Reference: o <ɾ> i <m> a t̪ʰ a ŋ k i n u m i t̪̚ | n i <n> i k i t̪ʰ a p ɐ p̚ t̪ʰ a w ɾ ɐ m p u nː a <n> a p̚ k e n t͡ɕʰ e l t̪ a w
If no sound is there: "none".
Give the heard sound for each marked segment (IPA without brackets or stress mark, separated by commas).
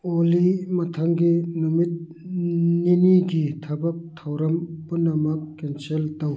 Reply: l, m, n, m